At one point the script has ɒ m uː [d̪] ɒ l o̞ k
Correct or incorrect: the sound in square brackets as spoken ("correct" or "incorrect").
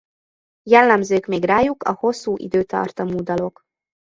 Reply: correct